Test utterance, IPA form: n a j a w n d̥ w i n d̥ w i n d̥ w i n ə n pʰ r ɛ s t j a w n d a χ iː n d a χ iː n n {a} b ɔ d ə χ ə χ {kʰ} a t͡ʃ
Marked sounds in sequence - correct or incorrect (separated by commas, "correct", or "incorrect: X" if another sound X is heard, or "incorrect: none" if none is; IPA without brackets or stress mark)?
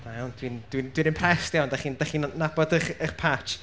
correct, incorrect: pʰ